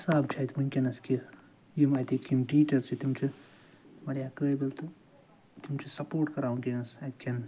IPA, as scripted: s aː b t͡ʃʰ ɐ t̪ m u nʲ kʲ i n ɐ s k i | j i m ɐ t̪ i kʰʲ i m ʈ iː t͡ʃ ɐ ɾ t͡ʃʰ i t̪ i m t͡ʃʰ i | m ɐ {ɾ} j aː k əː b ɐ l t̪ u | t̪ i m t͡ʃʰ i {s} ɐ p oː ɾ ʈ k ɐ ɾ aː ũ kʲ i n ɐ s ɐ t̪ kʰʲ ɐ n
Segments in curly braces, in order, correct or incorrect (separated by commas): correct, correct